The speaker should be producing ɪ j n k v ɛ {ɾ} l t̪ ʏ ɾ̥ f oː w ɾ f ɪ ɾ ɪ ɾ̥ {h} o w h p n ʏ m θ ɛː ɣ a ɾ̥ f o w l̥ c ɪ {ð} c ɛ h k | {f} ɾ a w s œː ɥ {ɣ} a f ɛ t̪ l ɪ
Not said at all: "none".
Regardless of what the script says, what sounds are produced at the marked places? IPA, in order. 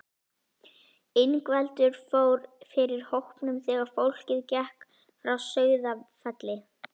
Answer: none, h, ð, f, ð

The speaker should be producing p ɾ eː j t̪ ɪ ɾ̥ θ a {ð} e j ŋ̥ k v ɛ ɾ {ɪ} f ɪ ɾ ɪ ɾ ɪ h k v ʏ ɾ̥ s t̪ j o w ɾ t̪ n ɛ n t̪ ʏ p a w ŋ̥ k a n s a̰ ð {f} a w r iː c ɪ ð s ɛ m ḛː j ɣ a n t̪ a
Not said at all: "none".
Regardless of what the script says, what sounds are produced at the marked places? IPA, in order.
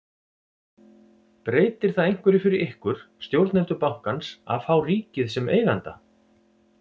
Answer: ð, ɪ, f

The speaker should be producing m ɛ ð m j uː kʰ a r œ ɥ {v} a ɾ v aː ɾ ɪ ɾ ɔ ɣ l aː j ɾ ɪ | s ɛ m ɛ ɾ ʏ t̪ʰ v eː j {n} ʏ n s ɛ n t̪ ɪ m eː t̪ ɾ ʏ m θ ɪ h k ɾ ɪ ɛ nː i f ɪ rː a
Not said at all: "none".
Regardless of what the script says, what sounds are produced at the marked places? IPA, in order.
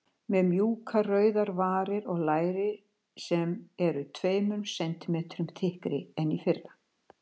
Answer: ð, m

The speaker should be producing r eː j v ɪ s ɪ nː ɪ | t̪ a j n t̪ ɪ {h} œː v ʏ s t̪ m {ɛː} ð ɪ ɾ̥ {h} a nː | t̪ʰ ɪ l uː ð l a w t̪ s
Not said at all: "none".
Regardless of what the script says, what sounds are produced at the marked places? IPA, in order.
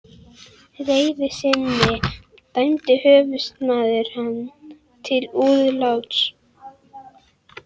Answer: h, aː, h

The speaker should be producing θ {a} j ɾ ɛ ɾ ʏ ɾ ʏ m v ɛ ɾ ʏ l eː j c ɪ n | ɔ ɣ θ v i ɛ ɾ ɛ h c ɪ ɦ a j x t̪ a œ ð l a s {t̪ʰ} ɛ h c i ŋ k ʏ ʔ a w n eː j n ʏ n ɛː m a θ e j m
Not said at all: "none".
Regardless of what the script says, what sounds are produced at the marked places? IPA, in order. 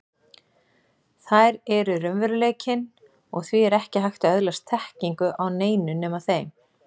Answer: a, t̪ʰ

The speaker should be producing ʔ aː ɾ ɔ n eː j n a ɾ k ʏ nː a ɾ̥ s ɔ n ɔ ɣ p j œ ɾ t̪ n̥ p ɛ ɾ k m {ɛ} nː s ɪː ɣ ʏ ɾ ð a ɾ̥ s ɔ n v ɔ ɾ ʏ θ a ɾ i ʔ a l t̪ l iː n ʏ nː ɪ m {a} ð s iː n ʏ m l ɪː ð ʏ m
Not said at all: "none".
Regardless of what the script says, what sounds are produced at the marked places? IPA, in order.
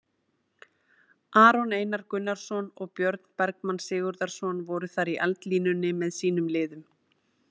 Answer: a, ɛ

